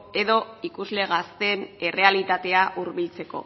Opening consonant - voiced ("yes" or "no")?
yes